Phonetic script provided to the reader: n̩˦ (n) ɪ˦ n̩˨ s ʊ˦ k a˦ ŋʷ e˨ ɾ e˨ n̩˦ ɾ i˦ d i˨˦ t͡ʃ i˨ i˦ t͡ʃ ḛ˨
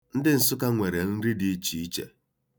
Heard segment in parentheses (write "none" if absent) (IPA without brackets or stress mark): d